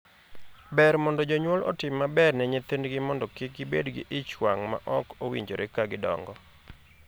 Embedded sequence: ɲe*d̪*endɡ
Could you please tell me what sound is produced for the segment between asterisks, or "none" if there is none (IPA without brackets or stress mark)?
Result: t̪